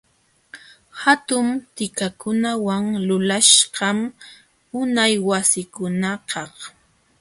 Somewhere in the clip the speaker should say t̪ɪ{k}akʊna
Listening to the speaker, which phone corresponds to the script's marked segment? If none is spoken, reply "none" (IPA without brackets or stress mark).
k